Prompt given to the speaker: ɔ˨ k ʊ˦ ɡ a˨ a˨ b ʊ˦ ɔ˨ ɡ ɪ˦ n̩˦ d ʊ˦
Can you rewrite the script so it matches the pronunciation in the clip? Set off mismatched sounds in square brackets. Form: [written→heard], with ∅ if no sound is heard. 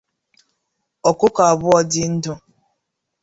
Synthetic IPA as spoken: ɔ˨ k ʊ˦ [ɡ→k] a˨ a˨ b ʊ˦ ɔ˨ [ɡ→d] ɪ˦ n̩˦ d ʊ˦